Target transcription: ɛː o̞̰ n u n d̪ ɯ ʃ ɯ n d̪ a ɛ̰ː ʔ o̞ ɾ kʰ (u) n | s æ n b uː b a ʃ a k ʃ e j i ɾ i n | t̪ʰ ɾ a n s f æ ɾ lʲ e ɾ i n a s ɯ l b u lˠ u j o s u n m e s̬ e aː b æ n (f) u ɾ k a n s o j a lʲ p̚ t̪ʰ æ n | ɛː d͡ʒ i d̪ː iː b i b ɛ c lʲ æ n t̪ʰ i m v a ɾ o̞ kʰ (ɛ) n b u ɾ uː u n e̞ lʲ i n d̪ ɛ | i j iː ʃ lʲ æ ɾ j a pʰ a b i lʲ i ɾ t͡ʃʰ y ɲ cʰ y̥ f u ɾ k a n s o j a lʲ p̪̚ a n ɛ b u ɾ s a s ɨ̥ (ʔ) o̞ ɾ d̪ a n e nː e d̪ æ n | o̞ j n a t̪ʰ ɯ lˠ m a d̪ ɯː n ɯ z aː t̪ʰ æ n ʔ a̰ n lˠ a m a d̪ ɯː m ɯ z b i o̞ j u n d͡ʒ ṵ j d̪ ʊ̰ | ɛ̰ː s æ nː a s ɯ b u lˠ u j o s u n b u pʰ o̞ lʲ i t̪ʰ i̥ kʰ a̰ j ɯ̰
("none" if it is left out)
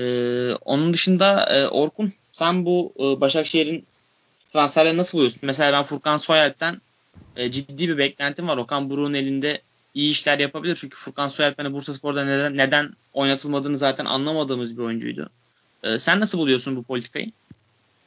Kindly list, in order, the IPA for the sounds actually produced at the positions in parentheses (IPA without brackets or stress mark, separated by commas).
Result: u, f, a, p